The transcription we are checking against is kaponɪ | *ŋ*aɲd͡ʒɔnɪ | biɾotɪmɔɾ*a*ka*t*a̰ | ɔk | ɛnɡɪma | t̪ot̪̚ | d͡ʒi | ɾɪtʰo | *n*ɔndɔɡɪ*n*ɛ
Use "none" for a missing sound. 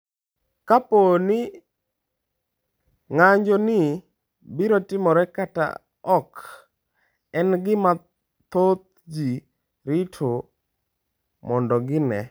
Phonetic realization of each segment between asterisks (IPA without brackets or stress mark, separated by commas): ŋ, ɛ, t, m, n